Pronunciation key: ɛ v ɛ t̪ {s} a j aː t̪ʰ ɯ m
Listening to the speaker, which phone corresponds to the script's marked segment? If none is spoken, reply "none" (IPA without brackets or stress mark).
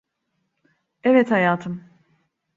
h